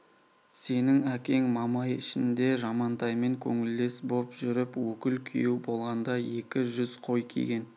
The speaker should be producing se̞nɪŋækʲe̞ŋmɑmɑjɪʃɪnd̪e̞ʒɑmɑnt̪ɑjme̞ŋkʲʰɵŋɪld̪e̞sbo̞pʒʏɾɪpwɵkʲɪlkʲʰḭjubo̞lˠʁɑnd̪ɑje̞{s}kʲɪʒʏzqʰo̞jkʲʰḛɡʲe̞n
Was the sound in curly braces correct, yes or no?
no